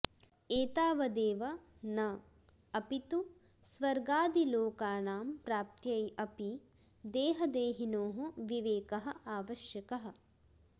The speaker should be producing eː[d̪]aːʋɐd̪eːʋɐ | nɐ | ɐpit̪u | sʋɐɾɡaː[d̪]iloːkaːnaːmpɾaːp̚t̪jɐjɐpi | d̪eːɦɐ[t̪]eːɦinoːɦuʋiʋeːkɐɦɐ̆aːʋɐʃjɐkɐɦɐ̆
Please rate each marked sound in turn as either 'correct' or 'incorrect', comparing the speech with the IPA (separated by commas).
incorrect, correct, incorrect